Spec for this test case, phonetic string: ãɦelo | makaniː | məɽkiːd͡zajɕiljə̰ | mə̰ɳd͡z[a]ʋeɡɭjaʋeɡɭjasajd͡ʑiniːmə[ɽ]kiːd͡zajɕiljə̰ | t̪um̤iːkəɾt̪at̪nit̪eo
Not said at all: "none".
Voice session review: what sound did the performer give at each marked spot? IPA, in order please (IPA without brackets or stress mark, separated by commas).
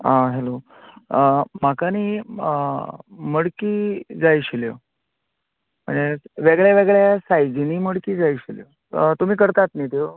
e, ɽ